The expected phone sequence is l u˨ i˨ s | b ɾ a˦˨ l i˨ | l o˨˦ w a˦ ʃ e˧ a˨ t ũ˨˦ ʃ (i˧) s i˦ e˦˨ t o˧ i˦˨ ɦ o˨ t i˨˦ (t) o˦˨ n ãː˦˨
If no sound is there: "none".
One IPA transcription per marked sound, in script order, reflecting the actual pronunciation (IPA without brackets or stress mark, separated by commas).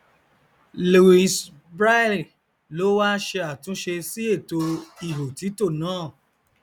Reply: e˧, t